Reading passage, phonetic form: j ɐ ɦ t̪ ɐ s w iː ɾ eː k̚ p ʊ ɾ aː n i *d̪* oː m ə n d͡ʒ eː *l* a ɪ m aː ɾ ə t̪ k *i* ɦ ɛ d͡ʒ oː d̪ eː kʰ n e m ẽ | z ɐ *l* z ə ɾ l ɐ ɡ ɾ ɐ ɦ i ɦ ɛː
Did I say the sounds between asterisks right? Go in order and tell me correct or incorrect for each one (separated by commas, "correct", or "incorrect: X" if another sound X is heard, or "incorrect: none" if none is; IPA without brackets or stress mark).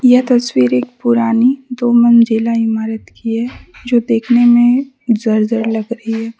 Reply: correct, correct, correct, incorrect: ɾ